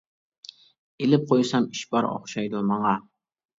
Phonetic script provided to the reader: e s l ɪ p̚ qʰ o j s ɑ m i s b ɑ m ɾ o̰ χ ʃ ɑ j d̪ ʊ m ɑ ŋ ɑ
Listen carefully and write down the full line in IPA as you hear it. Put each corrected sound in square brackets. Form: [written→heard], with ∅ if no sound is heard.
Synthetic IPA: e [s→∅] l ɪ p̚ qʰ o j s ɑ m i [s→ʃ] b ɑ [m→∅] ɾ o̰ χ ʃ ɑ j d̪ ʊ m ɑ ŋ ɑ